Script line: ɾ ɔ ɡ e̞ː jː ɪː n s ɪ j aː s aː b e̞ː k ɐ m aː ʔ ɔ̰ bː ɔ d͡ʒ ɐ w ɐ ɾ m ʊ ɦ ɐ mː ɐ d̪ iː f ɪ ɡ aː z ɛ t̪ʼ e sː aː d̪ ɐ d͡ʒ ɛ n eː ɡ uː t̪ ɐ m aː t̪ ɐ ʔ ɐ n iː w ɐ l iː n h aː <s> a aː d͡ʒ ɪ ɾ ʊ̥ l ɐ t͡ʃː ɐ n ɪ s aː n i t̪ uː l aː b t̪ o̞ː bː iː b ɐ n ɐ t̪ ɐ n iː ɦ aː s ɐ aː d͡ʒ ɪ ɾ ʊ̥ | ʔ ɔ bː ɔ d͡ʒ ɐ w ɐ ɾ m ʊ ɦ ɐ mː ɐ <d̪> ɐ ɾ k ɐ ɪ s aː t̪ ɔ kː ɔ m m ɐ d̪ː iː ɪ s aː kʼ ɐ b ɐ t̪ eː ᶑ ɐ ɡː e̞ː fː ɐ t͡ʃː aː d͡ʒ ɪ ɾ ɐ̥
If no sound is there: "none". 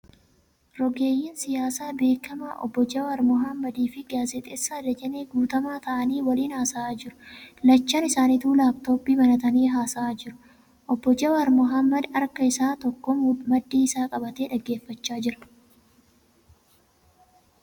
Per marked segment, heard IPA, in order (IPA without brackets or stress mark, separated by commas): s, d̪